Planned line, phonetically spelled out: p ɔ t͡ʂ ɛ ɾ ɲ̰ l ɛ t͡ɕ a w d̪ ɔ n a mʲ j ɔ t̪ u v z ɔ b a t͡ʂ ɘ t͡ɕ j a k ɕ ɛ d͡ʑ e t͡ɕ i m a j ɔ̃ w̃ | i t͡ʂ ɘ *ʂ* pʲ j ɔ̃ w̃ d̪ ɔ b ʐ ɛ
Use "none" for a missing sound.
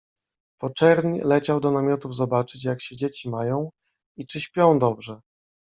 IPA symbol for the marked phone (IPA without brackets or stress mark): ɕ